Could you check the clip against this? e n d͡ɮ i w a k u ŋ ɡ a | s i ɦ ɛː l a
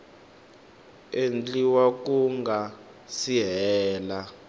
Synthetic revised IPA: e n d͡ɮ i w a k u ŋ ɡ a | s i ɦ ɛː l a